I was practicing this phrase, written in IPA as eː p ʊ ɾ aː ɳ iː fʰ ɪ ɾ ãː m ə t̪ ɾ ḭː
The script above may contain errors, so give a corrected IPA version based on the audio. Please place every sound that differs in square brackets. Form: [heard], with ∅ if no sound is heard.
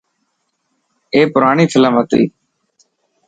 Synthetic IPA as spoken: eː p ʊ ɾ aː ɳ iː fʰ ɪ [l] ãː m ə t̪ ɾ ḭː